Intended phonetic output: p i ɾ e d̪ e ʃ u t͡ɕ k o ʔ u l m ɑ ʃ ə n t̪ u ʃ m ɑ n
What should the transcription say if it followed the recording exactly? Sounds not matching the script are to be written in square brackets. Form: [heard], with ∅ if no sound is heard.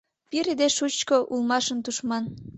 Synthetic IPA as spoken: p i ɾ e d̪ e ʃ u t͡ɕ k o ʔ u l m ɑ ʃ ə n t̪ u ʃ m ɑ n